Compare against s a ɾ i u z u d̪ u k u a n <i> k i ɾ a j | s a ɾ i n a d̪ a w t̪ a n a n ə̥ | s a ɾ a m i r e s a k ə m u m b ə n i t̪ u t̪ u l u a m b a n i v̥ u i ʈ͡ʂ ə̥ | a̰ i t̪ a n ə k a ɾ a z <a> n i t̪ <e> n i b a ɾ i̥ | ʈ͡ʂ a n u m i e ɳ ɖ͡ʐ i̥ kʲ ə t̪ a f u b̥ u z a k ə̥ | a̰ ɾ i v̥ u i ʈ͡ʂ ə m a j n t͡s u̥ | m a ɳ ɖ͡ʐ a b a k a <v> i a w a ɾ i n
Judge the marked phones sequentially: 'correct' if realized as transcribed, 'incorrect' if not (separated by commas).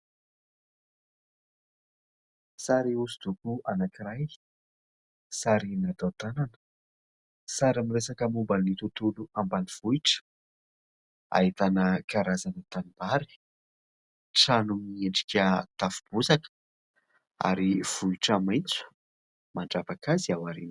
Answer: incorrect, correct, incorrect, incorrect